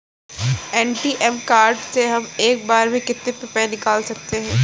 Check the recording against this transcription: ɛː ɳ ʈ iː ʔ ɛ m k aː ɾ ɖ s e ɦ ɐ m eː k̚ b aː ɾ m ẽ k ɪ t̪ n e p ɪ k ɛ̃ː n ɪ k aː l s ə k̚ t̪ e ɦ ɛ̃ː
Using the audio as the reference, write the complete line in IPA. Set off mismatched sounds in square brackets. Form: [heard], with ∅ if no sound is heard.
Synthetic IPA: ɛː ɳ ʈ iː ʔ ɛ m k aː ɾ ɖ s e ɦ ɐ m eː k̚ b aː ɾ m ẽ k ɪ t̪ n e p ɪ [p] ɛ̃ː n ɪ k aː l s [ɐ] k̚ t̪ e ɦ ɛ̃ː

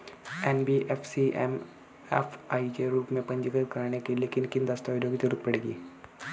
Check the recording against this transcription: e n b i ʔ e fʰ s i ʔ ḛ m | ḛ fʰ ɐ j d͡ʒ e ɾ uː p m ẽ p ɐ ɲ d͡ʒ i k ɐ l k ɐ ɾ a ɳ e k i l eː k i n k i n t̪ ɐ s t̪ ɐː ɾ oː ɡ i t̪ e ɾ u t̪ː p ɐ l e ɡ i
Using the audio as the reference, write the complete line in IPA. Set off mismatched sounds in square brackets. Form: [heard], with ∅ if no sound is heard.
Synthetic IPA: e n b i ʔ e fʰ s i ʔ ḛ m | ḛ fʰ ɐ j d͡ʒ e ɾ uː p m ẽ p ɐ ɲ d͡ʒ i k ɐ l k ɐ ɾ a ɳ e k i l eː k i n k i n [d̪] ɐ s t̪ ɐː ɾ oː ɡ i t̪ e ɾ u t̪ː p ɐ [ɽ] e ɡ i

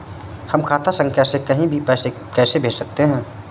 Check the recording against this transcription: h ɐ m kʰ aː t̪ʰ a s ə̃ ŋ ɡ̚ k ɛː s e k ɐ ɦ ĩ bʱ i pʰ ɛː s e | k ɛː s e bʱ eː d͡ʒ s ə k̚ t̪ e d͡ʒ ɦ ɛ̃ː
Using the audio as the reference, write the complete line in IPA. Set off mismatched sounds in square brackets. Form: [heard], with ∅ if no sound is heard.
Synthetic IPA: h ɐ m kʰ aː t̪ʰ a s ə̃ ŋ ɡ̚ k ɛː s e k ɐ ɦ ĩ bʱ i [p] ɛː s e | k ɛː s e bʱ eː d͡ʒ s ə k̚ t̪ e [∅] ɦ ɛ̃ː

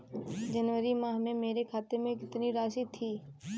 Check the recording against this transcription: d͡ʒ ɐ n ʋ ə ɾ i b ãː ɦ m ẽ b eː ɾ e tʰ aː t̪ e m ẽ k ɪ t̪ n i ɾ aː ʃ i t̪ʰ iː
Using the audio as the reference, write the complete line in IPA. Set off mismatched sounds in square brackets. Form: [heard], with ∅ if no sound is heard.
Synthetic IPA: d͡ʒ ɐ n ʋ ə ɾ i [m] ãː ɦ m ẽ [m] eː ɾ e [kʰ] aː t̪ e m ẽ k ɪ t̪ n i ɾ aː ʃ i t̪ʰ iː

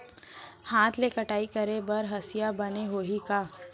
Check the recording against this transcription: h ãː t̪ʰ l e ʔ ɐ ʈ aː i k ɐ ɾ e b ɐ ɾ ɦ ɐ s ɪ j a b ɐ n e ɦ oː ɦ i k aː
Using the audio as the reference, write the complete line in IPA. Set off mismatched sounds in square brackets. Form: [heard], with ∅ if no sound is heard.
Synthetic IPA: h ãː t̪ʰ l e [k] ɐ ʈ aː i k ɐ ɾ e b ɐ ɾ ɦ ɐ s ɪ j a b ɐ n e ɦ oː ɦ i k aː

